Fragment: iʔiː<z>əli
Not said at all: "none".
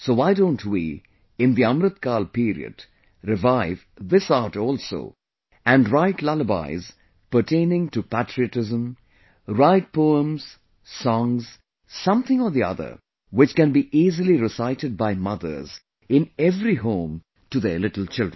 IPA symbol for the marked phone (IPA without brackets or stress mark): z